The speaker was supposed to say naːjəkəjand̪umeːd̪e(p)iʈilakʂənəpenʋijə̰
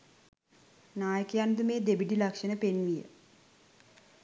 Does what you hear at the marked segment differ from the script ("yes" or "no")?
yes